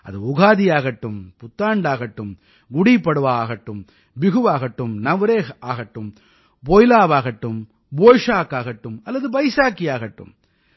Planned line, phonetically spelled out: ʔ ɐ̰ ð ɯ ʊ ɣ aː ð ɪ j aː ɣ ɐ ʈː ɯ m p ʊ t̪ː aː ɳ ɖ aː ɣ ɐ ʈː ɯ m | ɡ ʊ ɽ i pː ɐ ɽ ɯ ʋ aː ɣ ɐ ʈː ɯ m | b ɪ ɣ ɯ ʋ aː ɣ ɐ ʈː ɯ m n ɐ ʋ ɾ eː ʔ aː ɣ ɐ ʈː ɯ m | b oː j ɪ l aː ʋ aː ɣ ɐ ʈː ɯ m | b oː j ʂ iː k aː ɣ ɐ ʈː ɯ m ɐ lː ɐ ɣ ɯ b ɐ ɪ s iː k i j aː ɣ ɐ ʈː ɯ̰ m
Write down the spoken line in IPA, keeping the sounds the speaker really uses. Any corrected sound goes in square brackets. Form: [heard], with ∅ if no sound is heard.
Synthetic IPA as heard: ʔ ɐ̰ ð ɯ ʊ ɣ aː ð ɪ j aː ɣ ɐ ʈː ɯ m p ʊ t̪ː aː ɳ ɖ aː ɣ ɐ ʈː ɯ m | ɡ ʊ ɽ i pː ɐ ɽ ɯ ʋ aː ɣ ɐ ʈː ɯ m | b ɪ ɣ ɯ ʋ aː ɣ ɐ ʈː ɯ m n ɐ ʋ ɾ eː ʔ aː ɣ ɐ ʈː ɯ m | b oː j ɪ l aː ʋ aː ɣ ɐ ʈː ɯ m | b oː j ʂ [aː] k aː ɣ ɐ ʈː ɯ m ɐ lː ɐ [ð] ɯ b ɐ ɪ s [aː] k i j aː ɣ ɐ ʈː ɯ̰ m